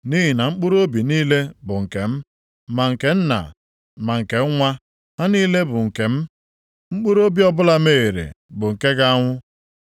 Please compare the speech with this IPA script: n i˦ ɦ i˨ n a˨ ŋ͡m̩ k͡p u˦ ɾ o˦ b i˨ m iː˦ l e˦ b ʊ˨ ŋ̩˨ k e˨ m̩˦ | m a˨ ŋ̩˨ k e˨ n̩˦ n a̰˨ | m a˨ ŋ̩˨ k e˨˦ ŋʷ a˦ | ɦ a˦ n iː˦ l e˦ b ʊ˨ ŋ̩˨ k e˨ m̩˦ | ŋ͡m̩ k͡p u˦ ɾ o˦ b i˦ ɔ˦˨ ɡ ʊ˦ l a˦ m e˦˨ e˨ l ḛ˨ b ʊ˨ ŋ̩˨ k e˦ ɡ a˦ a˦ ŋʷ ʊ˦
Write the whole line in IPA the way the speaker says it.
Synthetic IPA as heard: n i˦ ɦ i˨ n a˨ ŋ͡m̩ k͡p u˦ ɾ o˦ b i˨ n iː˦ l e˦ b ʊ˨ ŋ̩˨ k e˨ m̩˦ | m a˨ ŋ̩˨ k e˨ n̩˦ n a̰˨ | m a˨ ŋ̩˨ k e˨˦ ŋʷ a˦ | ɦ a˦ n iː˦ l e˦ b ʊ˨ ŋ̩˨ k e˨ m̩˦ | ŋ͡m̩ k͡p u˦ ɾ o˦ b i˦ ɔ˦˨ b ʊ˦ l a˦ m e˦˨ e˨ ɾ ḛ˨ b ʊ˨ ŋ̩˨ k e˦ ɡ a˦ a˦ ŋʷ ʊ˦